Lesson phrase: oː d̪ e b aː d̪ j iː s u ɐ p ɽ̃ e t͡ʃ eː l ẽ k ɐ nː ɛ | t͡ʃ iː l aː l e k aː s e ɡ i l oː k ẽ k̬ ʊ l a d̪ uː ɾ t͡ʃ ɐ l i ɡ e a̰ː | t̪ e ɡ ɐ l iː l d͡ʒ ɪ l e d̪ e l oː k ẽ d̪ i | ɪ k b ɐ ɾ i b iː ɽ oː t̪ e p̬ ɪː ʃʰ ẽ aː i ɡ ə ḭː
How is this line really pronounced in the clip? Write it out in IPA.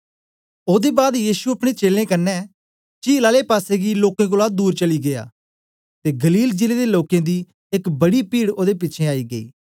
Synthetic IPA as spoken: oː d̪ e b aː d̪ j iː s u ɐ p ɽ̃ e t͡ʃ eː l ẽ k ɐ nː ɛ | t͡ʃ iː l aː l e p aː s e ɡ i l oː k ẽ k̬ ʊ l a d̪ uː ɾ t͡ʃ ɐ l i ɡ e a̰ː | t̪ e ɡ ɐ l iː l d͡ʒ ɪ l e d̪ e l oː k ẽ d̪ i | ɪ k b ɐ ɽ i p iː ɽ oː d̪ e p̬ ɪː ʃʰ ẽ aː i ɡ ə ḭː